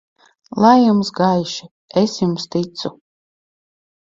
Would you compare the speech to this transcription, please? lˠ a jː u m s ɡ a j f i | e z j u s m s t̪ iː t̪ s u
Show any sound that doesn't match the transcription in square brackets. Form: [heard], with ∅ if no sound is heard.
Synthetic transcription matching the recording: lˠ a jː u m s ɡ a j [ʃ] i | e [s] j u [∅] m s t̪ [i] t̪ s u